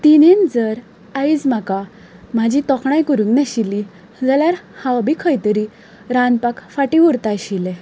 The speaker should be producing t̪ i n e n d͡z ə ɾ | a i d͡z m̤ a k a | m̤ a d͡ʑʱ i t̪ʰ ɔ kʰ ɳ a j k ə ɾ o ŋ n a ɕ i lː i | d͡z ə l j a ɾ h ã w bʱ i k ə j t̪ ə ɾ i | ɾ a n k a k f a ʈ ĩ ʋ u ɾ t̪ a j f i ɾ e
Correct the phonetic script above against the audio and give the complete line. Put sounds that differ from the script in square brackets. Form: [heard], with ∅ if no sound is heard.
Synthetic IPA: t̪ i n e n d͡z ə ɾ | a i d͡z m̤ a k a | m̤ a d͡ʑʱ i [t̪] ɔ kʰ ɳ a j k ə ɾ [u] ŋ n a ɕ i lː i | d͡z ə l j a ɾ h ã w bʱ i [kʰ] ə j t̪ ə ɾ i | ɾ a n [p] a k f a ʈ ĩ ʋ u ɾ t̪ a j [ɕ] i [l] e